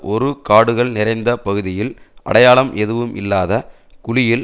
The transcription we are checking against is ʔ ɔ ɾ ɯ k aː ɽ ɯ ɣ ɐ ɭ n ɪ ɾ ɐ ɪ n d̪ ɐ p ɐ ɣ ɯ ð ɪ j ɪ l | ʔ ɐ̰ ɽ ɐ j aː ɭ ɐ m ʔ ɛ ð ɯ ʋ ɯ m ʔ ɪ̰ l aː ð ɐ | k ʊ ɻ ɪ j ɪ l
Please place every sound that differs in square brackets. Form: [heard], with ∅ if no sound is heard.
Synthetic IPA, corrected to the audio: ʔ ɔ ɾ ɯ k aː ɽ ɯ ɣ ɐ ɭ n ɪ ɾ ɐ ɪ n d̪ ɐ p ɐ ɣ ɯ ð ɪ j ɪ l | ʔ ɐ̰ ɽ ɐ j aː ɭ ɐ m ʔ ɛ ð ɯ ʋ ɯ m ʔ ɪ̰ [lː] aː ð ɐ | k ʊ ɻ ɪ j ɪ l